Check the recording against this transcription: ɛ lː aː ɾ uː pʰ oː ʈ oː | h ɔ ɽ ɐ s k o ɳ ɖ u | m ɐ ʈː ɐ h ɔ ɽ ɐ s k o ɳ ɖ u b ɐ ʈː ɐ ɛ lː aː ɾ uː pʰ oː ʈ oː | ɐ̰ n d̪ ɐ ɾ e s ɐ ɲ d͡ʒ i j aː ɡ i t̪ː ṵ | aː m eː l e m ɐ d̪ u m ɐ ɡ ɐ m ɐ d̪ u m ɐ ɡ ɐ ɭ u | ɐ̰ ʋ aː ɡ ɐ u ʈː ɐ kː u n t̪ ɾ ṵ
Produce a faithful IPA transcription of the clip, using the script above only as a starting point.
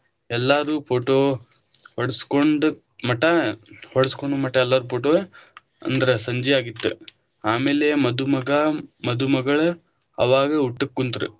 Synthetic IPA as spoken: ɛ lː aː ɾ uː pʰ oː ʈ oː | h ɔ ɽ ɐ s k o ɳ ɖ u | m ɐ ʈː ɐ h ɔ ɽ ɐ s k o ɳ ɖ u m ɐ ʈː ɐ ɛ lː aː ɾ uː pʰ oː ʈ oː | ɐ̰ n d̪ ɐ ɾ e s ɐ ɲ d͡ʒ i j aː ɡ i t̪ː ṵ | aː m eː l e m ɐ d̪ u m ɐ ɡ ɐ m ɐ d̪ u m ɐ ɡ ɐ ɭ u | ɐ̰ ʋ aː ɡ ɐ u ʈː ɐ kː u n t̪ ɾ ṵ